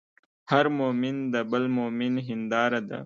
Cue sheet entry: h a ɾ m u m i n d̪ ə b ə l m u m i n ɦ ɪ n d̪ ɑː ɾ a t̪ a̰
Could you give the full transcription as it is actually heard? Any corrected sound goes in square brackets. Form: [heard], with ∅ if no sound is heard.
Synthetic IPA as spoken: h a ɾ m [o] m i n d̪ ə b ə l m [o] m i n ɦ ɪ n d̪ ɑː ɾ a [d̪] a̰